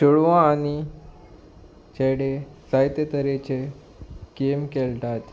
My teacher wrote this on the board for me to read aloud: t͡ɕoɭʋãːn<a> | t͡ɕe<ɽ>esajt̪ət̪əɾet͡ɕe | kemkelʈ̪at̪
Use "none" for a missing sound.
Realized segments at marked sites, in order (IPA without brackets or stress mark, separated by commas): i, ɽ